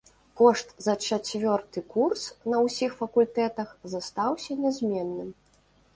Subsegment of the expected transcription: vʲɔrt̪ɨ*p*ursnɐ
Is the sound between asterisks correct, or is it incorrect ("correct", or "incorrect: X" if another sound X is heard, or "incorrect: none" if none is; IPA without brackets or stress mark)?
incorrect: k